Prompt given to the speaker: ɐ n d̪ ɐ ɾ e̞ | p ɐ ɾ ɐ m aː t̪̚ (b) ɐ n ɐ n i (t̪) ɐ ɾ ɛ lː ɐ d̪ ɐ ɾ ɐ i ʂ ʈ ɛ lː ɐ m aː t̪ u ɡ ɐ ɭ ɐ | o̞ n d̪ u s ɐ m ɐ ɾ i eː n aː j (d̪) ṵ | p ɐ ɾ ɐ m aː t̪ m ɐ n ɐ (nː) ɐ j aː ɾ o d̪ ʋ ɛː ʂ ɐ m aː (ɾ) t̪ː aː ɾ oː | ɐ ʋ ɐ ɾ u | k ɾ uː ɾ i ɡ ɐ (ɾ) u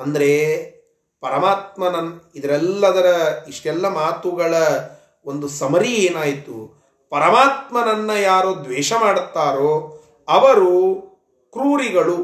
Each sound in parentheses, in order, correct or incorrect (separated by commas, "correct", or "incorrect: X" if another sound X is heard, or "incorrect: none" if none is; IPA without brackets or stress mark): incorrect: m, incorrect: d̪, incorrect: t̪, correct, incorrect: ɽ, incorrect: ɭ